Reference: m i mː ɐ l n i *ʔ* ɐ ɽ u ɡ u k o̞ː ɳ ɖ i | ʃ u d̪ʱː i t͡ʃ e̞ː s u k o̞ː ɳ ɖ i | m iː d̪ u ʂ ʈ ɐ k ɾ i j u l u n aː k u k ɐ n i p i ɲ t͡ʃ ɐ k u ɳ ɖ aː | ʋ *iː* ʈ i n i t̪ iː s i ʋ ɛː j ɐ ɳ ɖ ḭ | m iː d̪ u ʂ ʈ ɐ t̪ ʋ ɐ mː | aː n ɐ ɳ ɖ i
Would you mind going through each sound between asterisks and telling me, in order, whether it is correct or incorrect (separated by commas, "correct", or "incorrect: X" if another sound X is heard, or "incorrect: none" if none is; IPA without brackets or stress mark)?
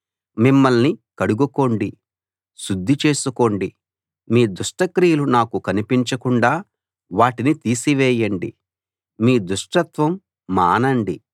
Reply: incorrect: k, incorrect: aː